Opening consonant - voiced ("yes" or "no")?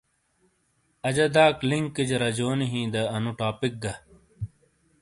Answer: yes